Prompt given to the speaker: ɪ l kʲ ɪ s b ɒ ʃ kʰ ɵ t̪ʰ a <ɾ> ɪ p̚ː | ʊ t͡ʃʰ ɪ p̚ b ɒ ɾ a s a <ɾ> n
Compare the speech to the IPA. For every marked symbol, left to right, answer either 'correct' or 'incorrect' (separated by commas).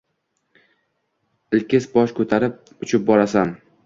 correct, incorrect